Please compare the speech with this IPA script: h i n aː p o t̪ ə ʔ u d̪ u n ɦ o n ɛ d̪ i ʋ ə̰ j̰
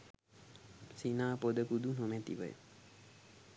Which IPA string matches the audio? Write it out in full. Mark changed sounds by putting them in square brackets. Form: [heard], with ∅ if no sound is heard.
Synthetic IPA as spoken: [s] i n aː p o [d̪] ə [k] u d̪ u n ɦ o [m] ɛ [t̪] i ʋ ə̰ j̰